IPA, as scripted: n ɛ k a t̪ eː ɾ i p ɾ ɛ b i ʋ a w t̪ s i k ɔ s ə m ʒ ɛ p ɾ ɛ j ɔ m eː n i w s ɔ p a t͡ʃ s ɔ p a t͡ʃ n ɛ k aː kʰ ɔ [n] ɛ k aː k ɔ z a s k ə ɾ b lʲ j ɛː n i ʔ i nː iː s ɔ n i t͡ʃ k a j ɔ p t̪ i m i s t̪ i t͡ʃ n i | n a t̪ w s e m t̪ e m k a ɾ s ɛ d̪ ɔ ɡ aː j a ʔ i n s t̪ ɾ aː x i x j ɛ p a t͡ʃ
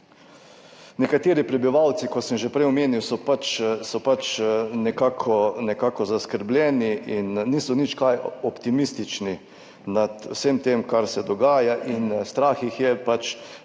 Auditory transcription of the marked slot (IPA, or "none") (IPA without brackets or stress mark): n